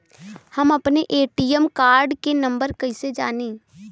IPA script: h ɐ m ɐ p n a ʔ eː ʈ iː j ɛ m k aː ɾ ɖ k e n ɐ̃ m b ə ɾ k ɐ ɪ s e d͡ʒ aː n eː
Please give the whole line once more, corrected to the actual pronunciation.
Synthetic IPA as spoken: h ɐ m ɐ p n e ʔ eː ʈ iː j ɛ m k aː ɾ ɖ k e n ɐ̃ m b ə ɾ k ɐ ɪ s e d͡ʒ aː n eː

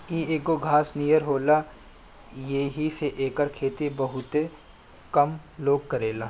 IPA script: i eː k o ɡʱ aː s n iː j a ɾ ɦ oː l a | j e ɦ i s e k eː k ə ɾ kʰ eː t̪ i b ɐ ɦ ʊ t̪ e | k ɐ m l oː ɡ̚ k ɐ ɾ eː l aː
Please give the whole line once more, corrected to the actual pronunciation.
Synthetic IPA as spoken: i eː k o ɡʱ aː s n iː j ə ɾ ɦ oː l a | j e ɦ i s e ʔ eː k ə ɾ kʰ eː t̪ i b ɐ ɦ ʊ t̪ e | k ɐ m l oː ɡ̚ k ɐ ɾ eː l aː

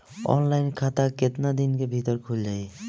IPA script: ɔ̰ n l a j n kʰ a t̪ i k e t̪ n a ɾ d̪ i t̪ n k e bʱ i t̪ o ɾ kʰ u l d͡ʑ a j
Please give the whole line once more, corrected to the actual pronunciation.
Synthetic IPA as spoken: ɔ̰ n l a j n kʰ a t̪ a k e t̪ n a d̪ i n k e bʱ i t̪ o ɾ kʰ u l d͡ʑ a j

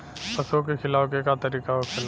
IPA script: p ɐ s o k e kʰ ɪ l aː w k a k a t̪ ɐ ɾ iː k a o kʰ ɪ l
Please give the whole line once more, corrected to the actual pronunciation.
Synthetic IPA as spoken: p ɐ s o k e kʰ ɪ l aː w k e k a t̪ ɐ ɾ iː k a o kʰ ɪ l

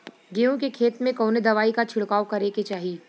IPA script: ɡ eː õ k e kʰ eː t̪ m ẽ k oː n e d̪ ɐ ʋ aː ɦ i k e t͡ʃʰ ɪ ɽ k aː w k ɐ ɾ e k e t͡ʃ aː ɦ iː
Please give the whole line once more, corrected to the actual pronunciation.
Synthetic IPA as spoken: ɡ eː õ k e kʰ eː t̪ m ẽ k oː n e d̪ ɐ ʋ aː i k a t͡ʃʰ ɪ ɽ k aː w k ɐ ɾ e k e t͡ʃ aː ɦ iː

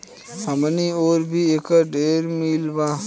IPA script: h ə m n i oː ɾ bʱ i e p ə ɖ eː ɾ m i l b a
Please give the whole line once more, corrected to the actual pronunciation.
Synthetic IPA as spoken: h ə m n i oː ɾ bʱ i e k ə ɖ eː ɾ m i l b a

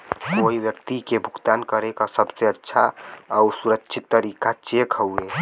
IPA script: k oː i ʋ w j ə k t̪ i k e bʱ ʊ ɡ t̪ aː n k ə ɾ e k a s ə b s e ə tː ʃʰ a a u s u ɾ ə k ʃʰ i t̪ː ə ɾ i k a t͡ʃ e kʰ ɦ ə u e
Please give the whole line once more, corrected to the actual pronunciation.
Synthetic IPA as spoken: k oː i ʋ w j ə k t̪ i k e bʱ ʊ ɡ t̪ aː n k ə ɾ e k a s ə b s e ə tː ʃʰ a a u s u ɾ ə k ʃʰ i t̪ː ə ɾ i k a t͡ʃ e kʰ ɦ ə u e

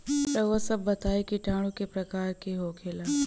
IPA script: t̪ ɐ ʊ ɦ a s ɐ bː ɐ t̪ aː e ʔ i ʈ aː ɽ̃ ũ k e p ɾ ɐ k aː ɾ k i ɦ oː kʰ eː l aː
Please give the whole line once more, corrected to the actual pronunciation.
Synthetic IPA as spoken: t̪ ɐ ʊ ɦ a s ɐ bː ɐ t̪ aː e k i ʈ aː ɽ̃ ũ k e p ɾ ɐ k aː ɾ k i ɦ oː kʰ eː l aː

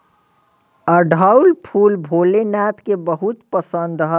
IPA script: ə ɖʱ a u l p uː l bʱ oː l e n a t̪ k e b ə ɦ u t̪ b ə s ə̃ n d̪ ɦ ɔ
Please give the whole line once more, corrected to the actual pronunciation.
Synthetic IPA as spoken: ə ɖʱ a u l pʰ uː l bʱ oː l e n a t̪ k e b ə ɦ u t̪ p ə s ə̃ n d̪ ɦ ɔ

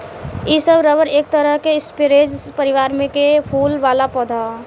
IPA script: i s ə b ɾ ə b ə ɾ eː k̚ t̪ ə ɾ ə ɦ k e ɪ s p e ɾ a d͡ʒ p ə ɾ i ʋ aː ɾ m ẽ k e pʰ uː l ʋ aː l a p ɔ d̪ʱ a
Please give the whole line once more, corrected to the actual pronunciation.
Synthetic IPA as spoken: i s ə b ɾ ə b ə ɾ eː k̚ t̪ ə ɾ ə ɦ k e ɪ s p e ɾ e d͡ʒ p ə ɾ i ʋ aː ɾ m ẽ k e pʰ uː l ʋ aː l a p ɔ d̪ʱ a

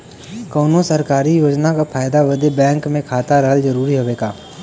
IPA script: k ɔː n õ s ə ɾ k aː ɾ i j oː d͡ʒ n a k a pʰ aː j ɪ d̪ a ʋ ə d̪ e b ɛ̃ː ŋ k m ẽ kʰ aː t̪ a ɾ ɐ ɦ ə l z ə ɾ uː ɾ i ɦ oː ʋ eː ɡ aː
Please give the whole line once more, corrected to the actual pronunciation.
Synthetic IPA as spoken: k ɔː n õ s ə ɾ k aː ɾ i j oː d͡ʒ n a k a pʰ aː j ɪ d̪ a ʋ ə d̪ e b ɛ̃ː ŋ k m ẽ kʰ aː t̪ a ɾ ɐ ɦ ə l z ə ɾ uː ɾ i ɦ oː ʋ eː ɡ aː

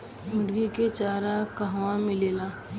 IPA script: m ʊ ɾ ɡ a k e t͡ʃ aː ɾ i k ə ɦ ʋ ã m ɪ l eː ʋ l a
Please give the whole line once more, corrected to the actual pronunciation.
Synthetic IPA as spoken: m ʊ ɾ ɡ i k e t͡ʃ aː ɾ a k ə ɦ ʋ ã m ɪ l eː l a

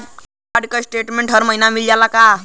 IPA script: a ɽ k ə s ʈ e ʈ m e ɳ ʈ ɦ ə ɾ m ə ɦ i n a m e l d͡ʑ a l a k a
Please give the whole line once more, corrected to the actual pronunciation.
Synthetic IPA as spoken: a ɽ k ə s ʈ e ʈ m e ɳ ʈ ɦ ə ɾ m ə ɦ i n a m i l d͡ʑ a l a k a

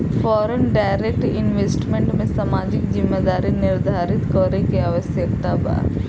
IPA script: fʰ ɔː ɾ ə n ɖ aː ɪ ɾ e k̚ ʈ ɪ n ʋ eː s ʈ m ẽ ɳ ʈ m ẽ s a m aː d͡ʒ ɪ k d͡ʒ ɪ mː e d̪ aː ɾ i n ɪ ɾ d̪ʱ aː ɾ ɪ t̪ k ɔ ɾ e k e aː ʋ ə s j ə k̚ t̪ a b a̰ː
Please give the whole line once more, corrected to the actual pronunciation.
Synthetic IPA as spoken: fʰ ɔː ɾ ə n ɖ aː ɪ ɾ e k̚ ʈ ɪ n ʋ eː s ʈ m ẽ ɳ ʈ m ẽ s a m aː d͡ʒ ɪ k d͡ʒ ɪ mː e d̪ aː ɾ i n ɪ ɾ d̪ʱ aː ɾ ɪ t̪ k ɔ ɾ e k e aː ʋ ə s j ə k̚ t̪ a b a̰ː

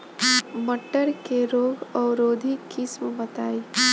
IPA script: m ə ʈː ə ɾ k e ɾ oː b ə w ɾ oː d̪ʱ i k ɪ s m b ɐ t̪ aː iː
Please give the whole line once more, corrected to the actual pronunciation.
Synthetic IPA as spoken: m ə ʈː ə ɾ k e ɾ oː ɡ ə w ɾ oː d̪ʱ i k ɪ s m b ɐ t̪ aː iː

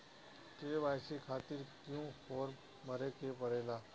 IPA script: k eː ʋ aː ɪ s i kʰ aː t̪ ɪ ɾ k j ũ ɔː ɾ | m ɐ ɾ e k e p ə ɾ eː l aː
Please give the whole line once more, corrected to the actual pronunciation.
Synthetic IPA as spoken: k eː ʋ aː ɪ s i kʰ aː t̪ ɪ ɾ k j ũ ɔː ɾ | m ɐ ɾ e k e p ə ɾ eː l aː

